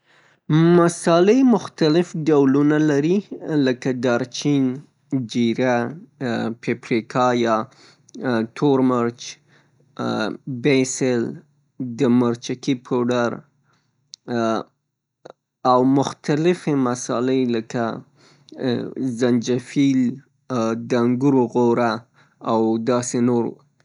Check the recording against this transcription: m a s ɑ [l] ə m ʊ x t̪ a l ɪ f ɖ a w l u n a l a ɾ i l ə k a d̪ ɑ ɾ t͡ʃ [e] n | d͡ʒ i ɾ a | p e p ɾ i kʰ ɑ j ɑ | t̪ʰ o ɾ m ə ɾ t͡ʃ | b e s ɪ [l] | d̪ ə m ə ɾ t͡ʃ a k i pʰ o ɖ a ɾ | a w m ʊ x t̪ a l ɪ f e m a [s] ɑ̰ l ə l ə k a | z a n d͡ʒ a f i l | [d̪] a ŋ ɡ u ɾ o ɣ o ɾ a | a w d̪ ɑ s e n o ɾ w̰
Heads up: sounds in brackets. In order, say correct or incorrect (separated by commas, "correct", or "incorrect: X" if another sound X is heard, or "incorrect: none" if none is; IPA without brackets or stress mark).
correct, incorrect: i, correct, correct, correct